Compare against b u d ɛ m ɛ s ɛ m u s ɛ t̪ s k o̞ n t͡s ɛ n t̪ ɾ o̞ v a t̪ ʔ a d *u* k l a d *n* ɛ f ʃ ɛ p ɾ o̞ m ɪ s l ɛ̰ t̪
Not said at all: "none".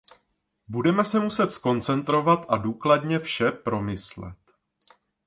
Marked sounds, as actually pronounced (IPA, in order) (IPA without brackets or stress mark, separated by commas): uː, ɲ